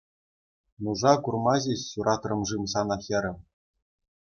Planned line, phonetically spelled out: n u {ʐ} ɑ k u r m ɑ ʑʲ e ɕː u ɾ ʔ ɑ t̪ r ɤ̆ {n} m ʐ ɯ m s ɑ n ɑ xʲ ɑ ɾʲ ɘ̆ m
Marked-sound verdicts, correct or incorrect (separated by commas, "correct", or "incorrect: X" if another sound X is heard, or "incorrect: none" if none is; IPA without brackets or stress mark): correct, incorrect: none